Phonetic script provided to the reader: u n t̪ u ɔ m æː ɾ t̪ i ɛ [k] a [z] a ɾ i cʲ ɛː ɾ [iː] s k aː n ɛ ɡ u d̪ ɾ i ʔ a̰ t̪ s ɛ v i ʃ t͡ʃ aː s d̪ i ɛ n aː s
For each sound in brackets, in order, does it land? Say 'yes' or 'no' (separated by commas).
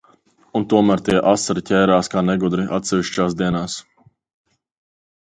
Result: no, no, no